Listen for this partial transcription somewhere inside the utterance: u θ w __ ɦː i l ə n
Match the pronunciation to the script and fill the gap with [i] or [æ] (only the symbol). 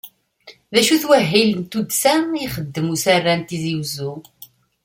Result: æ